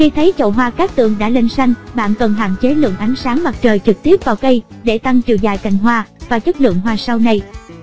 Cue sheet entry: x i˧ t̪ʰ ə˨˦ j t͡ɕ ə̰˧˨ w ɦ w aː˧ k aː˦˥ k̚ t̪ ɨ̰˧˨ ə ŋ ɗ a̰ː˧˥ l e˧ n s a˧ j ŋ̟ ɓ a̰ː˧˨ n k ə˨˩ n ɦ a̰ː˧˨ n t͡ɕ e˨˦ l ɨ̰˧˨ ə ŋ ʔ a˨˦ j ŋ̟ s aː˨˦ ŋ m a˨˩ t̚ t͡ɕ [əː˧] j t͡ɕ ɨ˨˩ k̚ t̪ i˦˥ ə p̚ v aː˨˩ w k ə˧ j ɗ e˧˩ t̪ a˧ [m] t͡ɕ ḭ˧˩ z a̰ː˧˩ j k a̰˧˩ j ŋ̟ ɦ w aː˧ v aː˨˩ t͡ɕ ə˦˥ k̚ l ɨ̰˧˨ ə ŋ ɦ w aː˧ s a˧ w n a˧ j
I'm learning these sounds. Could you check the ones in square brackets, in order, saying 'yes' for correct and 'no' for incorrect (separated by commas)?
no, no